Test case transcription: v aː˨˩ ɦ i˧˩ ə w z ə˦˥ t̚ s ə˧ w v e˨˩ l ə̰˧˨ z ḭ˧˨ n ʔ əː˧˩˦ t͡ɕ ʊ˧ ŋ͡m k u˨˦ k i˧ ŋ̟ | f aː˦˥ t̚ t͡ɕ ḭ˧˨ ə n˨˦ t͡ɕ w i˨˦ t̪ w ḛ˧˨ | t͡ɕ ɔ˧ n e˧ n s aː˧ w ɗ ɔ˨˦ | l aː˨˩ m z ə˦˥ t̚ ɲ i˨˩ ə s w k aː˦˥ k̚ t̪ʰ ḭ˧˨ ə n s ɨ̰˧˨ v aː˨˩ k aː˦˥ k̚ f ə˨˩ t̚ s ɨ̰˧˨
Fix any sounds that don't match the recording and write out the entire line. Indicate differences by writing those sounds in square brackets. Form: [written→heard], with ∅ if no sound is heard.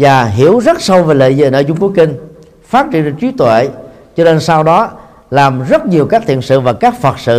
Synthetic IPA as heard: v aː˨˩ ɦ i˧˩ ə w z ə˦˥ t̚ s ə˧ w v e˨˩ l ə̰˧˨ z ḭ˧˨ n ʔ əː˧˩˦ t͡ɕ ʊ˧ ŋ͡m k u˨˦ k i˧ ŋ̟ | f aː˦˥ t̚ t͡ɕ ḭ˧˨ ə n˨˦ t͡ɕ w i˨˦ t̪ w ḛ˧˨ | t͡ɕ ɔ˧ n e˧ n s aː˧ w ɗ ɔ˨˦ | l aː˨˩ m z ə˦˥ t̚ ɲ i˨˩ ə [s→∅] w k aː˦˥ k̚ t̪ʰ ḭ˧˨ ə n s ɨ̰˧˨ v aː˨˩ k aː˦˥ k̚ f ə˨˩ t̚ s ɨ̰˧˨